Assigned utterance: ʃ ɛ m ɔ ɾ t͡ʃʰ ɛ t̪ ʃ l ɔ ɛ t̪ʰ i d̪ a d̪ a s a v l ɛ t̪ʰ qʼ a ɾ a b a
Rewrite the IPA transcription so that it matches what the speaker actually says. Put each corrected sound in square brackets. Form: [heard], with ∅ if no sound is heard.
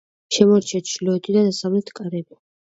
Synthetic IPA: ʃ ɛ m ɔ ɾ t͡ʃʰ ɛ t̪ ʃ l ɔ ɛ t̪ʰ i d̪ a d̪ a s a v l ɛ t̪ʰ [kʼ] a ɾ [ɛ] b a